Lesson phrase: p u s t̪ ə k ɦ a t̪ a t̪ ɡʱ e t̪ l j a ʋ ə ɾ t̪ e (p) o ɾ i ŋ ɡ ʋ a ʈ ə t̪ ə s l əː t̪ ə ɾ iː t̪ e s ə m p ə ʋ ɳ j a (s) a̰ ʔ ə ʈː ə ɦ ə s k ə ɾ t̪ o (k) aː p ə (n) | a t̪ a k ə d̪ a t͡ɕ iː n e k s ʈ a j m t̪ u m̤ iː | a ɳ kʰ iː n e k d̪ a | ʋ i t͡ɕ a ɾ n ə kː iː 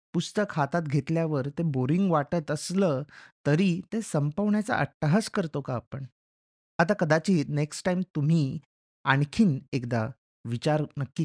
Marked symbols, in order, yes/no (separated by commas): no, no, yes, no